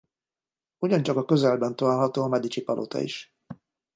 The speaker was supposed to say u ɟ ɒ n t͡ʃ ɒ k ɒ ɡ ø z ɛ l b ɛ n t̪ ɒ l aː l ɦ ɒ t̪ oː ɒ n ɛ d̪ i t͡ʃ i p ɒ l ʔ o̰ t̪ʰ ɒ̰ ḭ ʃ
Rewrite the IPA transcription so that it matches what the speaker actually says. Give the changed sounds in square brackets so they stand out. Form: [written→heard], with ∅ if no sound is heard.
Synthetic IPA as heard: u ɟ ɒ n t͡ʃ ɒ k ɒ [ɡ→k] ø z ɛ l b ɛ n t̪ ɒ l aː l ɦ ɒ t̪ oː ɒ [n→m] ɛ d̪ i t͡ʃ i p ɒ l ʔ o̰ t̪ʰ ɒ̰ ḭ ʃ

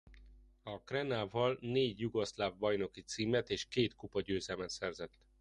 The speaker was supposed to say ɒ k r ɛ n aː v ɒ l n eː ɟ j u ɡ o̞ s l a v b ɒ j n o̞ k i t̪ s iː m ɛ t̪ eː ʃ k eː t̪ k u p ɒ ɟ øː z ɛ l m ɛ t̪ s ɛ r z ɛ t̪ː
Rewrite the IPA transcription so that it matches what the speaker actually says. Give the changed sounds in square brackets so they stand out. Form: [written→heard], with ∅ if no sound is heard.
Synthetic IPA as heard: ɒ k r ɛ n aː v ɒ l n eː ɟ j u ɡ o̞ s l a v b ɒ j n o̞ k i t̪ s iː m ɛ t̪ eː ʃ k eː t̪ k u p ɒ ɟ øː z ɛ l m ɛ t̪ s ɛ r z ɛ t̪ː

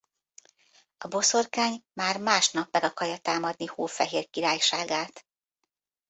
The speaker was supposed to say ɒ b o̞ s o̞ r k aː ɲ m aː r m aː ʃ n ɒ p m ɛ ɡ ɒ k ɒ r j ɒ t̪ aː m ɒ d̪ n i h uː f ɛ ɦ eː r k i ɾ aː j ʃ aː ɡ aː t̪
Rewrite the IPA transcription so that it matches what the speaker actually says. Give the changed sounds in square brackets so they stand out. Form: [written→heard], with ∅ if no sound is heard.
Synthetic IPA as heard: ɒ b o̞ s o̞ r k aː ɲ m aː r m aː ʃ n ɒ p m ɛ ɡ ɒ k ɒ r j ɒ t̪ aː m ɒ d̪ n i h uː f ɛ ɦ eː r k i ɾ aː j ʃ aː ɡ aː t̪

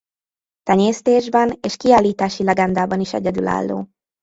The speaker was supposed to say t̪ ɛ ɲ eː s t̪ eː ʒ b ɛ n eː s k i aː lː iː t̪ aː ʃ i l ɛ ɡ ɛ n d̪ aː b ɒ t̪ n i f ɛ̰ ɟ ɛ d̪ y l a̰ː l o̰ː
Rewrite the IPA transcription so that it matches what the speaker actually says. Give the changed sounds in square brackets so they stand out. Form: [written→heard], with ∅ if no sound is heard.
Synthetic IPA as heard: t̪ ɛ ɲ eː s t̪ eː ʒ b ɛ n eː [s→ʃ] k i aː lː iː t̪ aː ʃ i l ɛ ɡ ɛ n d̪ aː b ɒ [t̪→∅] n i [f→ʃ] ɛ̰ ɟ ɛ d̪ y l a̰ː [l→lː] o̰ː

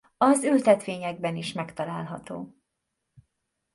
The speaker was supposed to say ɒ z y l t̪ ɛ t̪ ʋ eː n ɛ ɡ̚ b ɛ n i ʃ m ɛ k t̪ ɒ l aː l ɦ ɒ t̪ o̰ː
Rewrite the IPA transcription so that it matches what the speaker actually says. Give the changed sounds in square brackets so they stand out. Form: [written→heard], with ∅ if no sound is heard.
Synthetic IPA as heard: ɒ z y l t̪ ɛ t̪ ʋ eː [n→ɲ] ɛ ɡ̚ b ɛ n i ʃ m ɛ k t̪ ɒ l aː l ɦ ɒ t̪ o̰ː

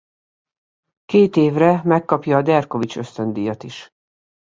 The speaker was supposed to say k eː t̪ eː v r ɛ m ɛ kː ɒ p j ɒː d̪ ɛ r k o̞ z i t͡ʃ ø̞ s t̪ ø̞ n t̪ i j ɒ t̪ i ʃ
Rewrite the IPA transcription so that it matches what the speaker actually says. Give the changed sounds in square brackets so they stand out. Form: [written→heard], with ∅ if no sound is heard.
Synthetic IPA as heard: k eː t̪ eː v r ɛ m ɛ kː ɒ p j ɒː d̪ ɛ r k o̞ [z→v] i t͡ʃ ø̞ s t̪ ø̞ n [t̪→d̪] i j ɒ t̪ i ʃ

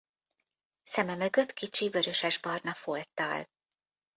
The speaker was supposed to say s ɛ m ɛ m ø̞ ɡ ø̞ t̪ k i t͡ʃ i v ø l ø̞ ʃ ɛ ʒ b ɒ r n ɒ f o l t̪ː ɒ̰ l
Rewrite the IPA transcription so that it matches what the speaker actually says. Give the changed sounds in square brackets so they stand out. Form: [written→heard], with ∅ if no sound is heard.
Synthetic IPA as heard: s ɛ m ɛ m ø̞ ɡ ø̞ t̪ k i t͡ʃ i v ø [l→ɾ] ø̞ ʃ ɛ ʒ b ɒ r n ɒ f o l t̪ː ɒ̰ l

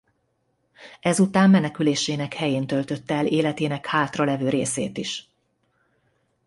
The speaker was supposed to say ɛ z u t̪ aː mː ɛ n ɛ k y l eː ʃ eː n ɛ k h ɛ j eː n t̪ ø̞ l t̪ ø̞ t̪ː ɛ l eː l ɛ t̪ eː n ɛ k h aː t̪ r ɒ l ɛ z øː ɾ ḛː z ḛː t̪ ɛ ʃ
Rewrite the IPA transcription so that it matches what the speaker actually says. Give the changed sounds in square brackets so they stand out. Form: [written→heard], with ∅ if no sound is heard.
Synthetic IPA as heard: ɛ z u t̪ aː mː ɛ n ɛ k y l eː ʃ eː n ɛ k h ɛ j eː n t̪ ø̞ l t̪ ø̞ t̪ː ɛ l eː l ɛ t̪ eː n ɛ k h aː t̪ r ɒ l ɛ [z→v] øː ɾ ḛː [z→s] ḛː t̪ [ɛ→i] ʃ

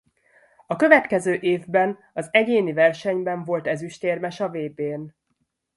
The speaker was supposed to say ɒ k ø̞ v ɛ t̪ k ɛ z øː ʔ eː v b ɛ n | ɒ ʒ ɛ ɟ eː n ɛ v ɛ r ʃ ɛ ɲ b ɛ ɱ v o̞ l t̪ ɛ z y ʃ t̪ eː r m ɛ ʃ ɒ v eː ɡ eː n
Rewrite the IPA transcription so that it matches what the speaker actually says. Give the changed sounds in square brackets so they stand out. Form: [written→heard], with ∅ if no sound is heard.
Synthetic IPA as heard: ɒ k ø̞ v ɛ t̪ k ɛ z øː ʔ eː v b ɛ n | ɒ [ʒ→z] ɛ ɟ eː n [ɛ→i] v ɛ r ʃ ɛ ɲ b ɛ ɱ v o̞ l t̪ ɛ z y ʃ t̪ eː r m ɛ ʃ ɒ v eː [ɡ→b] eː n

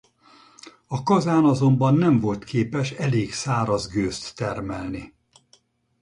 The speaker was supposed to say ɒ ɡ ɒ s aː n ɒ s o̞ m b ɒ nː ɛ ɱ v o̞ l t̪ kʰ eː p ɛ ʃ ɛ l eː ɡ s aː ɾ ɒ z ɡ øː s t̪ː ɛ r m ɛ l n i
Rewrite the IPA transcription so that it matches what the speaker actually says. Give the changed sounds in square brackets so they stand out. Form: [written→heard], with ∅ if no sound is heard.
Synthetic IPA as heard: ɒ [ɡ→k] ɒ [s→z] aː n ɒ [s→z] o̞ m b ɒ nː ɛ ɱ v o̞ l t̪ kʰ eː p ɛ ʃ ɛ l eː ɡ s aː ɾ ɒ z ɡ øː s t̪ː ɛ r m ɛ l n i

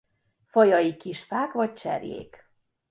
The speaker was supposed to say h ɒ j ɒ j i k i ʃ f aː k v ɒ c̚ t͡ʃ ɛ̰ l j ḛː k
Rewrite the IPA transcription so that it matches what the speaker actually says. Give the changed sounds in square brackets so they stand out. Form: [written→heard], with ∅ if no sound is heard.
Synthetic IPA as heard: [h→f] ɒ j ɒ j i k i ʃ f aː k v ɒ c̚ t͡ʃ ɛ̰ [l→r] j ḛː k

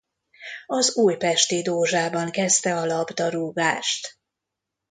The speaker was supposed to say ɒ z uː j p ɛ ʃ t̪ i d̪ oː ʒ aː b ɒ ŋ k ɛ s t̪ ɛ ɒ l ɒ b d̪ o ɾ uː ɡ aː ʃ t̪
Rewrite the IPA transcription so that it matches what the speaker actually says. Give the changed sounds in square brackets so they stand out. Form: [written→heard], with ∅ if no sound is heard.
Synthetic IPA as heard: ɒ z uː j p ɛ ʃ t̪ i d̪ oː ʒ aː b ɒ ŋ k ɛ s t̪ ɛ ɒ l ɒ b d̪ [o→ɒ] ɾ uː ɡ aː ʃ t̪

